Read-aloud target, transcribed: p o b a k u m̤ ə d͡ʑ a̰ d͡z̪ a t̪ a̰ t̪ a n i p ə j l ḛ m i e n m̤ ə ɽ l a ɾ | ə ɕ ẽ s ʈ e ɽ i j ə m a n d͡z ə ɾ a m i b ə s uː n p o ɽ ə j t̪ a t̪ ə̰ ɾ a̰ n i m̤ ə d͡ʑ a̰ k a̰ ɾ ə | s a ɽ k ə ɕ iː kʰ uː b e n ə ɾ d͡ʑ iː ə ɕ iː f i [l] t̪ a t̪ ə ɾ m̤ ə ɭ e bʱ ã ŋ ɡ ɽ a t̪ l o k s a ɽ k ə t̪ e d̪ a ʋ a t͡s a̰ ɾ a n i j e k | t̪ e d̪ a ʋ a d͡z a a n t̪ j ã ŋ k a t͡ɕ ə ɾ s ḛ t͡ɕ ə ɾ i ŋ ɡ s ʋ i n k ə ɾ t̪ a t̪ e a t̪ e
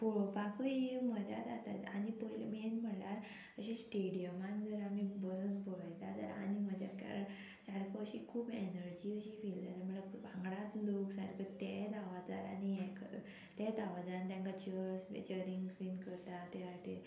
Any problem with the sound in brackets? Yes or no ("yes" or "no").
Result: no